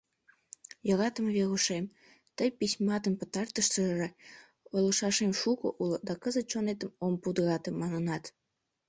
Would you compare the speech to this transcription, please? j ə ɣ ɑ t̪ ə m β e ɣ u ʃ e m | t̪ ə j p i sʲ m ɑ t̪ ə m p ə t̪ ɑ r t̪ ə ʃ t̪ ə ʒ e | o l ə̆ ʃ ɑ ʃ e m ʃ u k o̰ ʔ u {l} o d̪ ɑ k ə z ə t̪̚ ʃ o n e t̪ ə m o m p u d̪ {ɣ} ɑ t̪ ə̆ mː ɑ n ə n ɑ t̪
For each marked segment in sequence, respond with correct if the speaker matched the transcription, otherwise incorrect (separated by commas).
correct, correct